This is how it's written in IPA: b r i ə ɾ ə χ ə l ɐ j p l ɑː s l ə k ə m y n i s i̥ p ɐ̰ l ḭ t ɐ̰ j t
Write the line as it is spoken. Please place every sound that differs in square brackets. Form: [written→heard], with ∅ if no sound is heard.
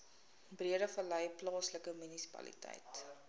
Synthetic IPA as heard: b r i ə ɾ ə [χ→f] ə l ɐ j p l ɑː s l ə k ə m y n i s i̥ p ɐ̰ l ḭ t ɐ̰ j t